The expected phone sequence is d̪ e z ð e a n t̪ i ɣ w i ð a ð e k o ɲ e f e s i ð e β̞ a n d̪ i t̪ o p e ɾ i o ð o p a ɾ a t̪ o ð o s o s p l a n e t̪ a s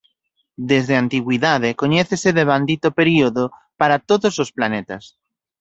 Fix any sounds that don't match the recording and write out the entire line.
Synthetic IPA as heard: d̪ e z ð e a n t̪ i ɣ w i ð a ð e k o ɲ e θ e s e ð e β̞ a n d̪ i t̪ o p e ɾ i o ð o p a ɾ a t̪ o ð o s o s p l a n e t̪ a s